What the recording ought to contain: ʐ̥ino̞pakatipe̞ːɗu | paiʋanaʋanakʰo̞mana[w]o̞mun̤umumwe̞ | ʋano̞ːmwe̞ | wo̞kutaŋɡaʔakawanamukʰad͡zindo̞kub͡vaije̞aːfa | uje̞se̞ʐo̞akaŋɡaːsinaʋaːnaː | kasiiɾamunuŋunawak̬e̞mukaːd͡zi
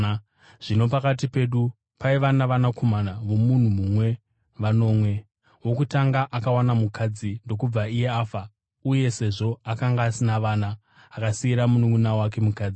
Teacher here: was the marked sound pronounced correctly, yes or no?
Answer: no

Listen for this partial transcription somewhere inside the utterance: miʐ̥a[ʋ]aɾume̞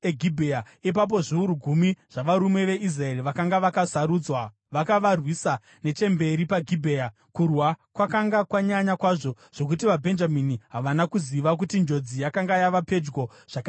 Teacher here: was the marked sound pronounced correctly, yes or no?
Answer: yes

